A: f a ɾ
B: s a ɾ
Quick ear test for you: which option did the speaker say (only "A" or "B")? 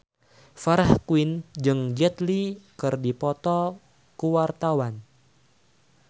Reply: A